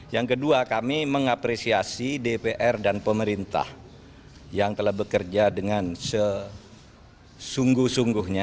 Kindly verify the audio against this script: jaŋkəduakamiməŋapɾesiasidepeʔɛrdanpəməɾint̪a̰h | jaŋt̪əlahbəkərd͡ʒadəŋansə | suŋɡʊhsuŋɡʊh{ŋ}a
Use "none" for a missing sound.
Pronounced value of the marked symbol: ɲ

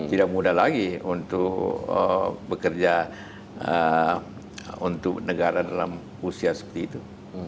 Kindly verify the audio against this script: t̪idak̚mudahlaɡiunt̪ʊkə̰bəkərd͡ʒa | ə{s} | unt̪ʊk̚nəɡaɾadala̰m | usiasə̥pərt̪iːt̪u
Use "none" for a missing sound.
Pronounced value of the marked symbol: none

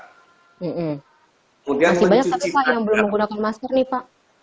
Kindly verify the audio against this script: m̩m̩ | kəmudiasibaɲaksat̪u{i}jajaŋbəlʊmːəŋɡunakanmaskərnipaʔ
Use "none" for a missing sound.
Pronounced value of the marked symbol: a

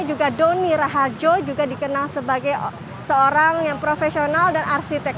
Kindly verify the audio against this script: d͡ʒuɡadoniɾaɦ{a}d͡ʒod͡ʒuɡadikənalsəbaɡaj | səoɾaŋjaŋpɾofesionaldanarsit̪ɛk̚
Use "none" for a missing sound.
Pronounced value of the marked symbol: a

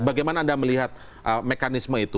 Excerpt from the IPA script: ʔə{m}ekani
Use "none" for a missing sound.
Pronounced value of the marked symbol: m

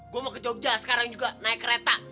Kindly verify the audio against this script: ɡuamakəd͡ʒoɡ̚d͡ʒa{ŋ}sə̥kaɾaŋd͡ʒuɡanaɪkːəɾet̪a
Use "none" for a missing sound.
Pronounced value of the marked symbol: none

